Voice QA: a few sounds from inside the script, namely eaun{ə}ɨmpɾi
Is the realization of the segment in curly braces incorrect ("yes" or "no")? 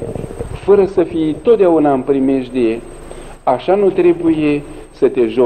yes